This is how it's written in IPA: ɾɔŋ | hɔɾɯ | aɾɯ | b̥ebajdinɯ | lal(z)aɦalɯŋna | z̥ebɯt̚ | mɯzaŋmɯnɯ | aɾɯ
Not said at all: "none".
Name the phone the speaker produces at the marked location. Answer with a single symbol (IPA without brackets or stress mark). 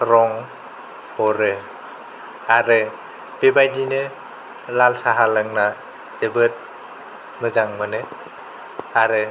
s